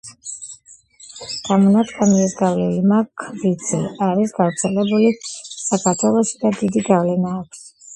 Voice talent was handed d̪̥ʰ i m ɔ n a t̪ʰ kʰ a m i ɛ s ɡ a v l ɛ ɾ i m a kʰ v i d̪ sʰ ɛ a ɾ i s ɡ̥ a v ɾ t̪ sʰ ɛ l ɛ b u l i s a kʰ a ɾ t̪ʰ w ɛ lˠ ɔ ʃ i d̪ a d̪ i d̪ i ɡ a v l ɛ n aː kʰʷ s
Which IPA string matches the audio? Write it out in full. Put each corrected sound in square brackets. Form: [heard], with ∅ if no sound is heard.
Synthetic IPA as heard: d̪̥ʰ [a] m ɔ n a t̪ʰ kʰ a m i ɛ s ɡ a v l ɛ [l] i m a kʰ v i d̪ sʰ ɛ a ɾ i s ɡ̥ a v ɾ t̪ sʰ ɛ l ɛ b u l i s a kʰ a ɾ t̪ʰ w ɛ lˠ ɔ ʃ i d̪ a d̪ i d̪ i ɡ a v l ɛ n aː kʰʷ s